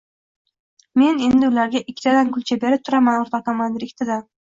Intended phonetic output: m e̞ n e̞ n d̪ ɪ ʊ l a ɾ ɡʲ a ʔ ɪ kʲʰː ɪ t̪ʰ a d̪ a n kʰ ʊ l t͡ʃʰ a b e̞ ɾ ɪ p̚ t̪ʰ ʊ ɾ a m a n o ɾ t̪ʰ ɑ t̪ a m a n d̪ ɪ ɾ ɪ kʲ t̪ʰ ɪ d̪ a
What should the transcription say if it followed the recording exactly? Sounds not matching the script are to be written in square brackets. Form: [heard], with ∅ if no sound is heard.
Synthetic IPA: m e̞ n e̞ n d̪ ɪ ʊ l a ɾ ɡʲ a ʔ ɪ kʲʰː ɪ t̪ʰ a d̪ a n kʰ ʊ l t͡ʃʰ a b e̞ ɾ ɪ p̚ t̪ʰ ʊ ɾ a m a n o ɾ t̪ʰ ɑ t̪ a m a n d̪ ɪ ɾ ɪ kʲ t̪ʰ ɪ d̪ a